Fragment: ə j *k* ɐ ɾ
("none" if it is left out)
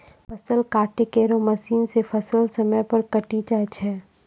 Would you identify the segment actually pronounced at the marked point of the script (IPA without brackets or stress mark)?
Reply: p